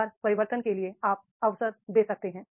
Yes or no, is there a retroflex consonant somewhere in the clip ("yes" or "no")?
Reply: no